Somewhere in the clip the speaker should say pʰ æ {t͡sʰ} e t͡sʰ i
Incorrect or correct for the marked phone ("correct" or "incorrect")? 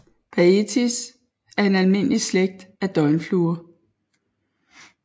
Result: incorrect